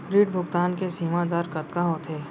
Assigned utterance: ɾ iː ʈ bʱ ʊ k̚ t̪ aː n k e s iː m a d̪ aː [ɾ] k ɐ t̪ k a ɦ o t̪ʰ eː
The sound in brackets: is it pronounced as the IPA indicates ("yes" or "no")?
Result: yes